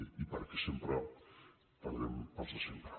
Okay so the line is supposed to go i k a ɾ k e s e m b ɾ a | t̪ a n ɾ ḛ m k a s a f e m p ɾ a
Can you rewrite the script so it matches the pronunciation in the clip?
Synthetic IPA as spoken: i p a ɾ k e s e m p ɾ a | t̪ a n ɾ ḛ m p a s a s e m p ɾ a

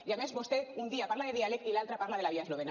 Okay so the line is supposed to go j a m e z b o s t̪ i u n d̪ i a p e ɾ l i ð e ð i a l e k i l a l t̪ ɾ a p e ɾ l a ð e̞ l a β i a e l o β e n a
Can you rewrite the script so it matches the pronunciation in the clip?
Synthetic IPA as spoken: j a m e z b o s t̪ e u n d̪ i a p a ɾ l a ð e ð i a l e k i l a l t̪ ɾ a p a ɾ l a ð e̞ l a β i a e l o β e n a

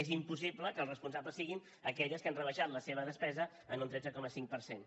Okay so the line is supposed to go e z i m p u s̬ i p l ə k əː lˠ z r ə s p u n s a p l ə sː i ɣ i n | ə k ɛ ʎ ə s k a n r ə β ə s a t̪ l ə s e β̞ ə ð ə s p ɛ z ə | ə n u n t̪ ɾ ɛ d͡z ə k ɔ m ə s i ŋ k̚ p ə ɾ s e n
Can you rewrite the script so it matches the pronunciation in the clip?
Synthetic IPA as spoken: e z i m p u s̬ i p l ə k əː lˠ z r ə s p u n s a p l ə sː i ɣ i n | ə k ɛ ʎ ə s k a n r ə β ə ʃ a t̪ l ə s e β̞ ə ð ə s p ɛ z ə | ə n u n t̪ ɾ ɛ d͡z ə k ɔ m ə s i ŋ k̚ p ə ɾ s e n

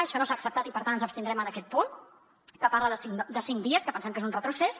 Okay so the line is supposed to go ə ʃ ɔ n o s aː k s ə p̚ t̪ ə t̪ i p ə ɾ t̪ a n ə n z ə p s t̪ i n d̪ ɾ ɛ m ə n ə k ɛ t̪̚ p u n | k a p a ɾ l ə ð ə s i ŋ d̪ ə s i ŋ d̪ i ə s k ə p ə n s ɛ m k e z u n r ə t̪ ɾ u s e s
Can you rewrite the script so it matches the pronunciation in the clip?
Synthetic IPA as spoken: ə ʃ ɔ n o s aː k s ə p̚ t̪ a t̪ i p ə ɾ t̪ a n ə n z ə p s t̪ i n d̪ ɾ ɛ m ə n ə k ɛ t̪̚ p u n | k ə p a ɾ l ə ð ə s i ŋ d̪ ə s i ŋ d̪ i ə s k ə p ə n s ɛ m k e z u n r ə t̪ ɾ u s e s

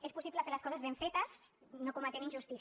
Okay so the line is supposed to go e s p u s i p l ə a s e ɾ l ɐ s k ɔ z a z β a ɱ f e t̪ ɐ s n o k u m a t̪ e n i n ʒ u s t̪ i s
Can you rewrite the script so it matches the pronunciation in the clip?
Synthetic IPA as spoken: e s p u s i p l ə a f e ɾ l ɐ s k ɔ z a z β e ɱ f e t̪ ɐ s n o k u m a t̪ e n i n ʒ u s t̪ i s

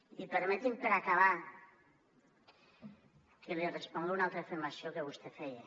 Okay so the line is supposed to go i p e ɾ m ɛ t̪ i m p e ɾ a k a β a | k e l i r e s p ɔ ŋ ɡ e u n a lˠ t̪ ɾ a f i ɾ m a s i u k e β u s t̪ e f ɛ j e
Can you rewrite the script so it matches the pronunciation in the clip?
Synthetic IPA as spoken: i p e ɾ m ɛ t̪ i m p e ɾ a k a β a | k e l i r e s p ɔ ŋ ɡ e u n a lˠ t̪ ɾ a f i ɾ m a s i o k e β u s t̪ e f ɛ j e

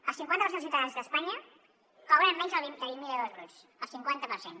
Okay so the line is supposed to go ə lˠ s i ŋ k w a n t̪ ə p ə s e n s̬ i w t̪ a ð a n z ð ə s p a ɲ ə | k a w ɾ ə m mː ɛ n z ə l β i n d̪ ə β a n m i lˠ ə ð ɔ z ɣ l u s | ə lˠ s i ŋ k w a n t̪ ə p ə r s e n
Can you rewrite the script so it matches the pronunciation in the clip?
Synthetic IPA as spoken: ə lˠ s i ŋ k w a n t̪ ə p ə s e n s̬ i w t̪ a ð a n z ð ə s p a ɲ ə | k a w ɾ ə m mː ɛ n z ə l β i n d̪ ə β i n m i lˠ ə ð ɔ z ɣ ɾ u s | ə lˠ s i ŋ k w a n t̪ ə p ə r s e n

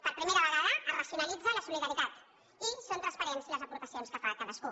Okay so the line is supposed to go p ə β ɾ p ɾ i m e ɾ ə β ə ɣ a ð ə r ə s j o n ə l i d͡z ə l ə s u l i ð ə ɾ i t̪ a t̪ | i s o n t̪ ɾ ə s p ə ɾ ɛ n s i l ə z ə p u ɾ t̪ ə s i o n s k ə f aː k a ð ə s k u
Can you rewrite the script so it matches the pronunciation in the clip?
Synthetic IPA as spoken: p ə ɾ p ɾ i m e ɾ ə β ə ɣ a ð ə r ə s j u n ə l i d͡z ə l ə s u l i ð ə ɾ i t̪ a t̪ | i s o n t̪ ɾ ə s p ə ɾ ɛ n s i l ə z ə p u ɾ t̪ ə s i o n s k ə f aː k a ð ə s k u

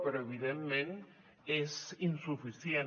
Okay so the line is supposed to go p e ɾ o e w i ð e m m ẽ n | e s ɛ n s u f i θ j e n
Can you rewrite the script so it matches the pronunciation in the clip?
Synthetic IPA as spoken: p e ɾ o e β i ð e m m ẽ n | e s i n s u f i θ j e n

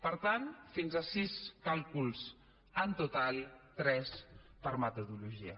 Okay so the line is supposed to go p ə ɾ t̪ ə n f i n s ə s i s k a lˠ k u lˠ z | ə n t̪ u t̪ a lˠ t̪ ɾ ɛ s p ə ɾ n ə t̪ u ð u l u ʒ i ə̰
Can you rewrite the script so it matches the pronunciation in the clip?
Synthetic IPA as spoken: p ə ɾ t̪ a n f i n z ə s i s k a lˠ k u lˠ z | ə n t̪ u t̪ a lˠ t̪ ɾ ɛ s p ə ɾ m ə t̪ u ð u l u ʒ i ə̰

